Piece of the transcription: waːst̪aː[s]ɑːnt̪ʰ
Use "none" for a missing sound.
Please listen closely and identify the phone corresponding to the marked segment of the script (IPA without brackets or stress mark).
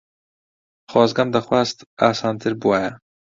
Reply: s